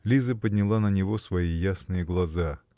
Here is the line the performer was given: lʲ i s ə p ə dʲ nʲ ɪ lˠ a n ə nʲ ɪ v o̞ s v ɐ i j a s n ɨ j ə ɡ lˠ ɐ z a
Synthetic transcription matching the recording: lʲ i z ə p ə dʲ nʲ ɪ lˠ a n ə nʲ ɪ v o̞ s v ɐ i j a s n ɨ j ə ɡ lˠ ɐ z a